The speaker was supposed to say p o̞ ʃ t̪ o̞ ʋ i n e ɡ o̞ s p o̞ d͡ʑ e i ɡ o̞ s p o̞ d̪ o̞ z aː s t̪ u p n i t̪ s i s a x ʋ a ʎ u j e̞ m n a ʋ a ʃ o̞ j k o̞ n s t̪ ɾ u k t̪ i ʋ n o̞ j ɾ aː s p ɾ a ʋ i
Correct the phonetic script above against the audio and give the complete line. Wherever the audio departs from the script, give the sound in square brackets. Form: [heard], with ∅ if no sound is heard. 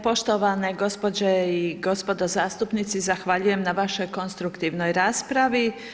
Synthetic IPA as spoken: p o̞ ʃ t̪ o̞ ʋ [a] n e ɡ o̞ s p o̞ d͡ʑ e i ɡ o̞ s p o̞ d̪ o̞ z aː s t̪ u p n i t̪ s i [z] a x ʋ a ʎ u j e̞ m n a ʋ a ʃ o̞ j k o̞ n s t̪ ɾ u k t̪ i ʋ n o̞ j ɾ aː s p ɾ a ʋ i

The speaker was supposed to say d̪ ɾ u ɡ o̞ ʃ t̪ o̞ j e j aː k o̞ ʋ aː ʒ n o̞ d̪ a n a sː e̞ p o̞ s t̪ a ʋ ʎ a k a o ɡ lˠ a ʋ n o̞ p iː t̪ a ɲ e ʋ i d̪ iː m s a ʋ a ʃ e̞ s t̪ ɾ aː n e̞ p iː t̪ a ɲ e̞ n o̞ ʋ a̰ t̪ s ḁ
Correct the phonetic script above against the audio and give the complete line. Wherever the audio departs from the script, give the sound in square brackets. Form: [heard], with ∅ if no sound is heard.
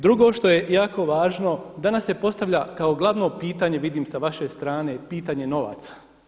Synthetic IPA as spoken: d̪ ɾ u ɡ o̞ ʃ t̪ o̞ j e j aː k o̞ ʋ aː ʒ n o̞ d̪ a n a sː e̞ p o̞ s t̪ a ʋ ʎ a k a o ɡ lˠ a ʋ n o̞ p iː t̪ a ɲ e ʋ i d̪ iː m s a ʋ a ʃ e̞ s t̪ ɾ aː n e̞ p iː t̪ a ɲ e̞ n o̞ ʋ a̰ t̪ s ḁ

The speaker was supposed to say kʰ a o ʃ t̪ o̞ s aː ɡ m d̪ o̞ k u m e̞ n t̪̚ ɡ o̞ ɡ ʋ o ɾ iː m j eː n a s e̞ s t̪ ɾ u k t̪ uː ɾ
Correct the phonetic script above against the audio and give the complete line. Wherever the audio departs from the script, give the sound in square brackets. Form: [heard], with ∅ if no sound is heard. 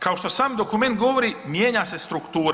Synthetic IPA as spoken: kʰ a o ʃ t̪ o̞ s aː [∅] m d̪ o̞ k u m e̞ n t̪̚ ɡ o̞ [∅] ʋ o ɾ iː m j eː [ɲ] a s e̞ s t̪ ɾ u k t̪ uː ɾ

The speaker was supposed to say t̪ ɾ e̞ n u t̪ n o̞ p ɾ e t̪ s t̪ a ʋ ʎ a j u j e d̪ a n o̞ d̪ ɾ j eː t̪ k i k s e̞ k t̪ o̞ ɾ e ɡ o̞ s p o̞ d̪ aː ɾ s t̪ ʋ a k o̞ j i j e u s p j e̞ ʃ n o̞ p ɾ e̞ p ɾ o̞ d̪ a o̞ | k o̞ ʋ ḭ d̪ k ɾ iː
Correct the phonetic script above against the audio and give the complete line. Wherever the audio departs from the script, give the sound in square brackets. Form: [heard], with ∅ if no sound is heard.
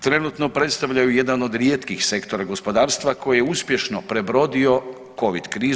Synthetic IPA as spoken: t̪ ɾ e̞ n u t̪ n o̞ p ɾ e t̪ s t̪ a ʋ ʎ a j u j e d̪ a n o̞ d̪ ɾ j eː t̪ k i [x] s e̞ k t̪ o̞ ɾ [a] ɡ o̞ s p o̞ d̪ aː ɾ s t̪ ʋ a k o̞ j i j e u s p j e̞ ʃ n o̞ p ɾ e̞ [b] ɾ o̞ d̪ [i] o̞ | k o̞ ʋ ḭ d̪ k ɾ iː

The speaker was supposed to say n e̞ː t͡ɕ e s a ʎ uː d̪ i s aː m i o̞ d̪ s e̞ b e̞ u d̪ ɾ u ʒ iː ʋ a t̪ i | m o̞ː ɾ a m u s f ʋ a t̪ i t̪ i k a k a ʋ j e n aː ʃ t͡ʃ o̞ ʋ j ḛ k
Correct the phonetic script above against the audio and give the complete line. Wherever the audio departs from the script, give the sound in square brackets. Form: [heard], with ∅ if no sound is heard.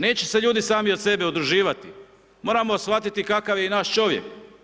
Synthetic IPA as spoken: n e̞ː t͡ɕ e s [e] ʎ uː d̪ i s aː m i o̞ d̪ s e̞ b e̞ u d̪ ɾ u ʒ iː ʋ a t̪ i | m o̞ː ɾ a m [o] s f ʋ a t̪ i t̪ i k a k a ʋ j e n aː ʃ t͡ʃ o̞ ʋ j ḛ k

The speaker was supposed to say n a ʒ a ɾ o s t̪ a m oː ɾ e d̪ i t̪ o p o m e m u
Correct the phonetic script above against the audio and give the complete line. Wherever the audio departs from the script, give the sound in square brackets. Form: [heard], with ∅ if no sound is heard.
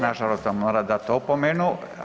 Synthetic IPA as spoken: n a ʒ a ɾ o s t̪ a m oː ɾ [a] d̪ [a] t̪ o p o m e [n] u

